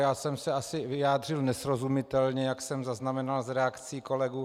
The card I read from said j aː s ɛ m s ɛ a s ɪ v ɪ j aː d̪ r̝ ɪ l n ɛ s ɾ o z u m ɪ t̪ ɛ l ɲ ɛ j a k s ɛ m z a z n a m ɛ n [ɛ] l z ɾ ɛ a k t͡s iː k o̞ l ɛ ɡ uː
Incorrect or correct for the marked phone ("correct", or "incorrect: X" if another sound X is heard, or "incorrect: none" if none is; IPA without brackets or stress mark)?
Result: incorrect: a